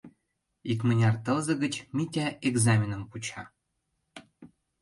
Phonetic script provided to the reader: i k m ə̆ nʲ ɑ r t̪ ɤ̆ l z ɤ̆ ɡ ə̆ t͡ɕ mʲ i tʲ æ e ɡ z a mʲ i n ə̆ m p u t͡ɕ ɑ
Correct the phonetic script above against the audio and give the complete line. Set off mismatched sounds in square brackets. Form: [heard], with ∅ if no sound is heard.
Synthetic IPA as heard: i k m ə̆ nʲ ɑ r t̪ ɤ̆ l z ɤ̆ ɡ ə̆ t͡ɕ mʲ i tʲ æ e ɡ z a mʲ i n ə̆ m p u t͡ɕ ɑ